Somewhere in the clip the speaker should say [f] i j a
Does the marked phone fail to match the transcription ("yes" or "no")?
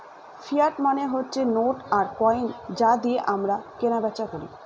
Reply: no